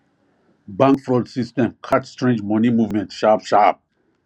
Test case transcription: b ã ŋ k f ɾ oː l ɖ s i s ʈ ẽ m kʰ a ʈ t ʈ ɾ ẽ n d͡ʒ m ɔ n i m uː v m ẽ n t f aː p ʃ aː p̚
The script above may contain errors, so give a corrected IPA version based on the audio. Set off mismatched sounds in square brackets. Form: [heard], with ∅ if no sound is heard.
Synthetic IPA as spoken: b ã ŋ k f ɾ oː l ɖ s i s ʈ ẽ m kʰ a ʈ [s] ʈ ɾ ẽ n d͡ʒ m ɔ n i m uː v m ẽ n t [ʃ] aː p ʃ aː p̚